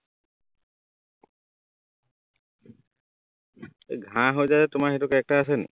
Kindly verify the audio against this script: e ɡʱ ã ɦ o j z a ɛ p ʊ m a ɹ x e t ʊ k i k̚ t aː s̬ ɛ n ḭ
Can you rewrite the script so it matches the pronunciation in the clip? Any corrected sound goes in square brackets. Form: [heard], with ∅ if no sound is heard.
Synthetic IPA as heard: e ɡʱ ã ɦ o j z a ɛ [t] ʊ m a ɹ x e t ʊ k [ɛ] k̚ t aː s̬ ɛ n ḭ